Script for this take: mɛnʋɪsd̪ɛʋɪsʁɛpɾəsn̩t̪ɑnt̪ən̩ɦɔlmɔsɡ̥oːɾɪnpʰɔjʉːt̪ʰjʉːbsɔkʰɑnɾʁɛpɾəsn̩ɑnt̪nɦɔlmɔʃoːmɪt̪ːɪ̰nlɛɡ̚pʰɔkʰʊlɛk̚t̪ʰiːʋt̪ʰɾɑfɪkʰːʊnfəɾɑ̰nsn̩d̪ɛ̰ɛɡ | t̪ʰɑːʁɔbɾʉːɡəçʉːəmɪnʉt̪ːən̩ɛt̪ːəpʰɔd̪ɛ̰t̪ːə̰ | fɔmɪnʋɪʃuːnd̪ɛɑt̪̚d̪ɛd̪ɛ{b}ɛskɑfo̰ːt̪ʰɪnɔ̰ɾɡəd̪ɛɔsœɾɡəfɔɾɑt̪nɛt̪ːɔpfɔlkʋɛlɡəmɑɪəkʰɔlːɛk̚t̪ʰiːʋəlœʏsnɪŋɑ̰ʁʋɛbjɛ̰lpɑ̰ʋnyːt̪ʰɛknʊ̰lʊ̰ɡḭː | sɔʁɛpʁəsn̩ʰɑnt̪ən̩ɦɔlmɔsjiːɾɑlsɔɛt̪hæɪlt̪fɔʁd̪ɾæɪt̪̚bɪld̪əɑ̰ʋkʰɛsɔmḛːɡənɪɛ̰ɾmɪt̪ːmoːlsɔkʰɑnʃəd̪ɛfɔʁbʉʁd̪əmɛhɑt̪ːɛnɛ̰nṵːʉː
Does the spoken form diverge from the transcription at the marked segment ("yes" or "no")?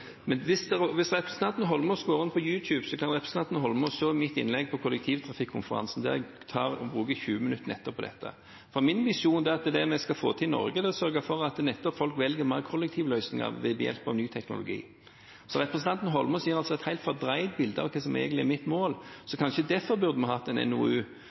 yes